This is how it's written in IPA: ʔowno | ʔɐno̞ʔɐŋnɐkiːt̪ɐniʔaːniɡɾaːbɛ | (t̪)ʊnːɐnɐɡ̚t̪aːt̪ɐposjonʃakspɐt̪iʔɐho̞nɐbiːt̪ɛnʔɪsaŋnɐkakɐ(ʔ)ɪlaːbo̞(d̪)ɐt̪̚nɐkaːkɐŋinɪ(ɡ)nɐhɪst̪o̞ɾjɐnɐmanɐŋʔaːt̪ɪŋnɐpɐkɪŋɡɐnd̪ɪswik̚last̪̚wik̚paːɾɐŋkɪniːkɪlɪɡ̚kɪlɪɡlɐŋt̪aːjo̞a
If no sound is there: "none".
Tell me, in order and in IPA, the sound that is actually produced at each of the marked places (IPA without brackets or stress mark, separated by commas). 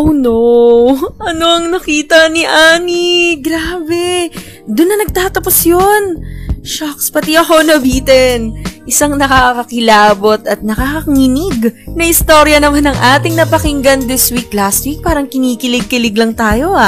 d̪, k, t̪, ɡ